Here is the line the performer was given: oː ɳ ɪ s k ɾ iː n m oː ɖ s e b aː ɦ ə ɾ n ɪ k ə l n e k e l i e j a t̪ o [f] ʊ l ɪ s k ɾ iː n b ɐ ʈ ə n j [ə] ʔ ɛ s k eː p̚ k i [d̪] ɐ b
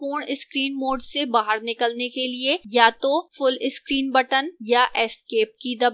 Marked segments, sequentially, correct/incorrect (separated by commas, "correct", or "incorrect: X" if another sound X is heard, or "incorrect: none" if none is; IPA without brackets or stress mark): correct, incorrect: a, correct